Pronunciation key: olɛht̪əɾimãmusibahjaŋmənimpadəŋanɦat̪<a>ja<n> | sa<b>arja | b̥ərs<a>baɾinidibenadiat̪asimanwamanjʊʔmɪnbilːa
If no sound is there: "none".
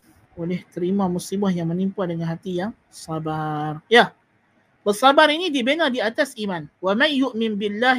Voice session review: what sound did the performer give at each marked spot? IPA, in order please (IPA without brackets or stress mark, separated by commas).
i, ŋ, b, a